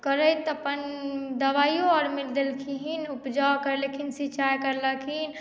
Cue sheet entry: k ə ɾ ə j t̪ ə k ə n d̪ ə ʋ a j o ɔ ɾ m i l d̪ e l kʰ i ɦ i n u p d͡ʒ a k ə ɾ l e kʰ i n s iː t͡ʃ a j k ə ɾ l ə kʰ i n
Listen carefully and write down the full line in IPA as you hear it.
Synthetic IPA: k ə ɾ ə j t̪ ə p ə n d̪ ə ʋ a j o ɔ ɾ m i l d̪ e l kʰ i ɦ i n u p d͡ʒ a k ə ɾ l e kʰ i n s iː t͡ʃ a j k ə ɾ l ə kʰ i n